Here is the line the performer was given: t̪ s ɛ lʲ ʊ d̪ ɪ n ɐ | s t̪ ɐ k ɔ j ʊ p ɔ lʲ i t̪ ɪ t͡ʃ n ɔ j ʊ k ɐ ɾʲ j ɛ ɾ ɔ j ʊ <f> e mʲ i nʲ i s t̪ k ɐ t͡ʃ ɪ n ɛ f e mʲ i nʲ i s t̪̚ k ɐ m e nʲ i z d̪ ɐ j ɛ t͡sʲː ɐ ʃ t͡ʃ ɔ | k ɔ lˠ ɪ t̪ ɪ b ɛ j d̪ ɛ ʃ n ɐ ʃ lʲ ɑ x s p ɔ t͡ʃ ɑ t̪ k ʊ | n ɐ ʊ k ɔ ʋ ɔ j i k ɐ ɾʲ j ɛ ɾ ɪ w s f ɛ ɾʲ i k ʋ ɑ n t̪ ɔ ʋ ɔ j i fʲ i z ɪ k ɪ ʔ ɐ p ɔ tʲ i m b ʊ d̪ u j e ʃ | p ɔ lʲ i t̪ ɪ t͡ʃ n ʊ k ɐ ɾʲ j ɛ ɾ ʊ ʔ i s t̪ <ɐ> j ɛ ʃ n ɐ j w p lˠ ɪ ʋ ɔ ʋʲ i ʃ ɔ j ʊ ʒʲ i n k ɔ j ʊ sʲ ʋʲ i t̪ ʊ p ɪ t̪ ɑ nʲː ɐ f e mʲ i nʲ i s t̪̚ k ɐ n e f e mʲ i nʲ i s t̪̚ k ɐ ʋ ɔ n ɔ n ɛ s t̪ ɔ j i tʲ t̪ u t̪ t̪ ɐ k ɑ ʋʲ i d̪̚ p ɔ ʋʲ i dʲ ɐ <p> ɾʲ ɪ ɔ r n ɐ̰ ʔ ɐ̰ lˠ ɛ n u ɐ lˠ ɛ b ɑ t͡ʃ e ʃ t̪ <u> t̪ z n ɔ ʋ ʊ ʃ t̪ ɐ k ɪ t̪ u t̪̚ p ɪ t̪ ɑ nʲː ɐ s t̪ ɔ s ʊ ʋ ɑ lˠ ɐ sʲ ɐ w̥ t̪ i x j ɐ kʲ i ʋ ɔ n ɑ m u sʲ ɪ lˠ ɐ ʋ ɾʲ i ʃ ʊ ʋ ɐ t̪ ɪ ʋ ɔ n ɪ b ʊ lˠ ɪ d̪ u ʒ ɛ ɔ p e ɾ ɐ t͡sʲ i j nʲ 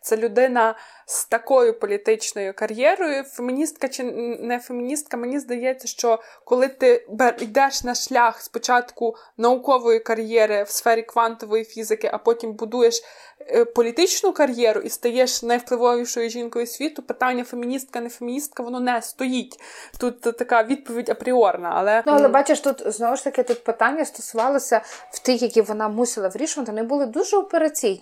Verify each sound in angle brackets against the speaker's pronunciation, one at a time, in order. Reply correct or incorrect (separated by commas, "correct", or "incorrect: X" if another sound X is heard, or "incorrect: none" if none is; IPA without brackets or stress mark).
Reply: correct, correct, correct, correct